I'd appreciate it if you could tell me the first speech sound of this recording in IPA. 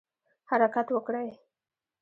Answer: h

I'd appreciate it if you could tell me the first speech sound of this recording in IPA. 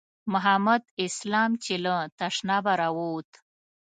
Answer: m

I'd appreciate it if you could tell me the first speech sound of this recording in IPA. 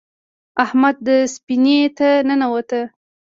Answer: a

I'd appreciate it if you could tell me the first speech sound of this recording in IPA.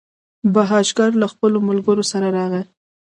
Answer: b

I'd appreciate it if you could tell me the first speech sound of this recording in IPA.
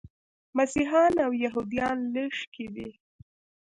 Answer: m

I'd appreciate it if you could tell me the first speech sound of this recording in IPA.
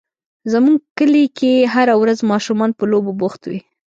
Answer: z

